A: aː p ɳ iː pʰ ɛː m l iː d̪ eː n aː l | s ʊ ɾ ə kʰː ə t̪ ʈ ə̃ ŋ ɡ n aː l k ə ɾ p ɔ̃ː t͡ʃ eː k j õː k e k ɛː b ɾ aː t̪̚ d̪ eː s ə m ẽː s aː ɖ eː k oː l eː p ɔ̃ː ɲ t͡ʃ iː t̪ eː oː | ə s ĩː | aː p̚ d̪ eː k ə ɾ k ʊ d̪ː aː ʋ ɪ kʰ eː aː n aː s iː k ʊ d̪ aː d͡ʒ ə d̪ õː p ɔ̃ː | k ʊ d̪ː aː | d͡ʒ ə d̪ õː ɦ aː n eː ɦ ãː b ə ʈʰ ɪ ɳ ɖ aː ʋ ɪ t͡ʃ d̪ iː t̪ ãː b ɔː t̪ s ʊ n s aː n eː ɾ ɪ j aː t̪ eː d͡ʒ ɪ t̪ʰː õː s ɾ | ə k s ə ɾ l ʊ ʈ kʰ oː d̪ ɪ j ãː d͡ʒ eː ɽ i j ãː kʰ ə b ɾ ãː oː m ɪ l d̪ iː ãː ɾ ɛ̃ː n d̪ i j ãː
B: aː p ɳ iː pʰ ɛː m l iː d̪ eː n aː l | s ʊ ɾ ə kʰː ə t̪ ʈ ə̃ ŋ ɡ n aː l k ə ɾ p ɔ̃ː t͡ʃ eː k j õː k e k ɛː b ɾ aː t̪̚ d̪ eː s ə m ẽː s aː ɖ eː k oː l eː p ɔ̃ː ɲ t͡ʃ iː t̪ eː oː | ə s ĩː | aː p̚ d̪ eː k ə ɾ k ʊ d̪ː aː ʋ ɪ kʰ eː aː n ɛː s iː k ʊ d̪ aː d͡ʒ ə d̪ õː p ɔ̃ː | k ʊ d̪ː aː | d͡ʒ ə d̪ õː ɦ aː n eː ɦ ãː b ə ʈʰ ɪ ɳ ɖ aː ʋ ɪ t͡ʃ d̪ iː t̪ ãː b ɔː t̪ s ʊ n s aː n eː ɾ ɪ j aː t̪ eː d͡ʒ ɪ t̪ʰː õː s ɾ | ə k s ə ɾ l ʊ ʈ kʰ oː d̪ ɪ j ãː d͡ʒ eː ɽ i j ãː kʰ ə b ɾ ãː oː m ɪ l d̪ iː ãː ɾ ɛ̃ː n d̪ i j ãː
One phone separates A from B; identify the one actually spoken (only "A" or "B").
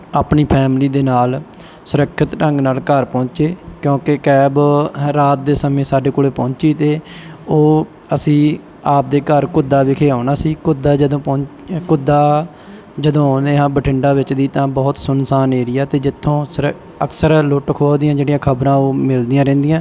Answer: A